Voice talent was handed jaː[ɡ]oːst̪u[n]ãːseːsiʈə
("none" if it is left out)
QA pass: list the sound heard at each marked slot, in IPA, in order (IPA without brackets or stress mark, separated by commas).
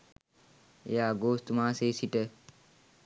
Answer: ɡ, m